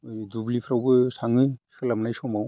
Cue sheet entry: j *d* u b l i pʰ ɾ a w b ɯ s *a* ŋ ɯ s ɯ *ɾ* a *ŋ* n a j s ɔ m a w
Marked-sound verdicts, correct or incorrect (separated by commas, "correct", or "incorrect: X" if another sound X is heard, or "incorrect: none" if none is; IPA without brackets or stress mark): correct, correct, incorrect: l, incorrect: m